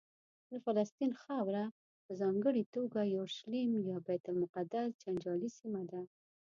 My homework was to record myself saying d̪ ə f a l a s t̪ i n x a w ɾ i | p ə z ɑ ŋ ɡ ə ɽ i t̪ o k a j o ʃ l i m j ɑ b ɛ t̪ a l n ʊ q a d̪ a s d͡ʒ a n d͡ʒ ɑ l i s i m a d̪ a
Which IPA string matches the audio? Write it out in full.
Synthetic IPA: d̪ ə f a l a s t̪ i n x a w ɾ a | p ə z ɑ ŋ ɡ ə ɽ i t̪ o ɡ a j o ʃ l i m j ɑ b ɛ t̪ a l m ʊ q a d̪ a s d͡ʒ a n d͡ʒ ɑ l i s i m a d̪ a